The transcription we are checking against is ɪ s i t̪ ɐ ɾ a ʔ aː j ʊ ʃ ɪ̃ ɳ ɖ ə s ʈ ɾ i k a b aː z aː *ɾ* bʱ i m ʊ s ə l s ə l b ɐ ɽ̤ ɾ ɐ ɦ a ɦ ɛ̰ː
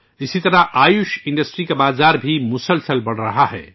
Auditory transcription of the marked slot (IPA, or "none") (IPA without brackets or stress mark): ɾ